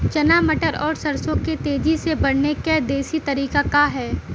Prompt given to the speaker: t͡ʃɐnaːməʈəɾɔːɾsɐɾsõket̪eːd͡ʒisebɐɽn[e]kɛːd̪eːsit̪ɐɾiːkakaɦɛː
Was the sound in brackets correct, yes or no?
yes